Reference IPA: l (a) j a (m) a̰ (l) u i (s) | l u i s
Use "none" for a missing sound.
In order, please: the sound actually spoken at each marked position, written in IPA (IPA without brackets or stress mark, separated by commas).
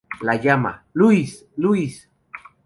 a, m, l, s